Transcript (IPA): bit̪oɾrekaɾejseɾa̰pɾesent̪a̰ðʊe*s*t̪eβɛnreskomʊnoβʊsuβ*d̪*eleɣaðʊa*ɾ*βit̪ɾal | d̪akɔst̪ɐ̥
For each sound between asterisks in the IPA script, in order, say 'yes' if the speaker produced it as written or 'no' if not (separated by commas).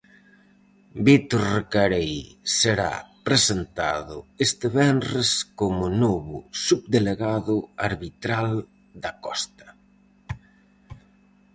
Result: yes, yes, yes